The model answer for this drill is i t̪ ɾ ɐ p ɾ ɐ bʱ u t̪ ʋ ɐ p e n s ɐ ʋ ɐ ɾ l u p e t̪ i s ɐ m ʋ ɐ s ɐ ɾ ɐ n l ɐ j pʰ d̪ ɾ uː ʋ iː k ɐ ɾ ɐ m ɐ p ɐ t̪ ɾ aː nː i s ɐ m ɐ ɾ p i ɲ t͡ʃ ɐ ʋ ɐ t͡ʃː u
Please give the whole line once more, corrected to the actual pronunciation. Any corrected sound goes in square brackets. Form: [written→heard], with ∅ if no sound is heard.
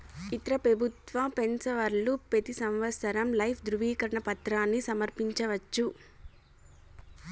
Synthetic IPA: i t̪ ɾ ɐ p ɾ ɐ bʱ u t̪ ʋ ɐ p e n s ɐ ʋ ɐ ɾ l u p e t̪ i s ɐ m ʋ ɐ s ɐ ɾ ɐ [n→m] l ɐ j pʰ d̪ ɾ [uː→u] ʋ iː k ɐ ɾ ɐ [m→ɳ] ɐ p ɐ t̪ ɾ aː nː i s ɐ m ɐ ɾ p i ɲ t͡ʃ ɐ ʋ ɐ t͡ʃː u

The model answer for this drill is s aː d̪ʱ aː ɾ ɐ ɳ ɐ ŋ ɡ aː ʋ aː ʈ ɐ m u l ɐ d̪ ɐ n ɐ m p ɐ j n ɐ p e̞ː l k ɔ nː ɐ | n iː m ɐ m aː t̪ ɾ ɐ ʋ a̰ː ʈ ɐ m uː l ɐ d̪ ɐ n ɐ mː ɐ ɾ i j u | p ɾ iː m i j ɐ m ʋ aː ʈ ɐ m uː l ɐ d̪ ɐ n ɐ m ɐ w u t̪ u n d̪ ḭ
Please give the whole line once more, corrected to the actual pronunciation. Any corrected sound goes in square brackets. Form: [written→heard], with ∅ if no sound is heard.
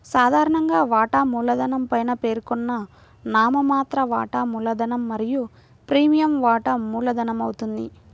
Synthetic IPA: s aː d̪ʱ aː ɾ ɐ ɳ ɐ ŋ ɡ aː ʋ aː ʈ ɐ m [u→uː] l ɐ d̪ ɐ n ɐ m p ɐ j n ɐ p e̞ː [l→ɾ] k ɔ nː ɐ | n [iː→aː] m ɐ m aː t̪ ɾ ɐ ʋ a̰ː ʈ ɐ m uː l ɐ d̪ ɐ n ɐ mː ɐ ɾ i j u | p ɾ iː m i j ɐ m ʋ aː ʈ ɐ m uː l ɐ d̪ ɐ n ɐ m ɐ w u t̪ u n d̪ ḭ

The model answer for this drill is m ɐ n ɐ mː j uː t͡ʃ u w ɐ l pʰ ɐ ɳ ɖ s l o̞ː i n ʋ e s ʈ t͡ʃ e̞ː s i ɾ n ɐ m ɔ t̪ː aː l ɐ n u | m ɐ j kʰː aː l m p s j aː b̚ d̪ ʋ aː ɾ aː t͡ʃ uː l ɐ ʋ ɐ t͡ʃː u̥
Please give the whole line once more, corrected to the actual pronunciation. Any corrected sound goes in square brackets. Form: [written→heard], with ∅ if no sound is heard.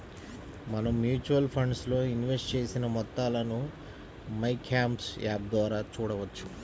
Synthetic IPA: m ɐ n ɐ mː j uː t͡ʃ u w ɐ l pʰ ɐ ɳ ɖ s l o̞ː i n ʋ e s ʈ t͡ʃ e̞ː s i [ɾ→∅] n ɐ m ɔ t̪ː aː l ɐ n u | m ɐ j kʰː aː [l→∅] m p s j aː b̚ d̪ ʋ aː ɾ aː t͡ʃ uː [l→ɽ] ɐ ʋ ɐ t͡ʃː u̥

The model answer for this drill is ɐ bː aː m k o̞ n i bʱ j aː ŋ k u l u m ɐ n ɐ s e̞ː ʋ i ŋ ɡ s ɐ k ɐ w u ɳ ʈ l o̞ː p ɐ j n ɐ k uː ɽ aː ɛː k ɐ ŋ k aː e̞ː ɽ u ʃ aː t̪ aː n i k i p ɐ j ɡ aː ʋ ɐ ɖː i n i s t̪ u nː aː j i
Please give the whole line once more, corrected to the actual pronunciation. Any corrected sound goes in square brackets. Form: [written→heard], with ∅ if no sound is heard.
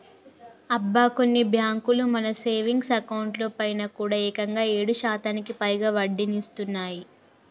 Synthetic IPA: ɐ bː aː [m→∅] k o̞ [n→nː] i bʱ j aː ŋ k u l u m ɐ n ɐ s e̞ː ʋ i ŋ ɡ s ɐ k ɐ w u ɳ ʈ l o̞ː p ɐ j n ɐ k uː ɽ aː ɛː k ɐ ŋ [k→ɡ] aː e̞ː ɽ u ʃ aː t̪ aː n i k i p ɐ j ɡ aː ʋ ɐ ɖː i n i s t̪ u nː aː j i

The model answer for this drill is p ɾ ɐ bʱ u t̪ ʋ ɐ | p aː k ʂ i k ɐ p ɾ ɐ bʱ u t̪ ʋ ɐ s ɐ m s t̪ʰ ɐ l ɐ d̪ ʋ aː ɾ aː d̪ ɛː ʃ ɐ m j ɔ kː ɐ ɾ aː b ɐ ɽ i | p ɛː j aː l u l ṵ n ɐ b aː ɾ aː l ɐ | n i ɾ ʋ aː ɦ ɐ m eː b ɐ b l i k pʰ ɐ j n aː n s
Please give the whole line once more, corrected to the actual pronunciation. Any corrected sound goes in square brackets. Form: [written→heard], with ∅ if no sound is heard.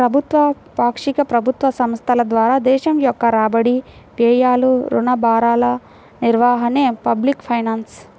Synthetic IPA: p ɾ ɐ bʱ u t̪ ʋ ɐ | p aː k ʂ i k ɐ p ɾ ɐ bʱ u t̪ ʋ ɐ s ɐ m s t̪ʰ ɐ l ɐ d̪ ʋ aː ɾ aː d̪ ɛː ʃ ɐ m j ɔ kː ɐ ɾ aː b ɐ ɽ i | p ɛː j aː l u [l→ɾ] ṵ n ɐ b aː ɾ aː l ɐ | n i ɾ ʋ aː ɦ ɐ [m→n] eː [b→p] ɐ b l i k pʰ ɐ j n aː n s

